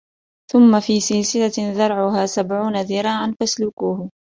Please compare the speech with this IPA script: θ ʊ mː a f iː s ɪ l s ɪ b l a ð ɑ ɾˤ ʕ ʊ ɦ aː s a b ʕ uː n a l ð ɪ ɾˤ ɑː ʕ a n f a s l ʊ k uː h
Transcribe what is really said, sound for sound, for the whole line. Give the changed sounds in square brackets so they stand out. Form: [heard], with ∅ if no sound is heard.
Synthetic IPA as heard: θ ʊ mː a f iː s ɪ l s ɪ [∅] l a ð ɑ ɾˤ ʕ ʊ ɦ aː s a b ʕ uː n a [∅] ð ɪ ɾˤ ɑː ʕ a n f a s l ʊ k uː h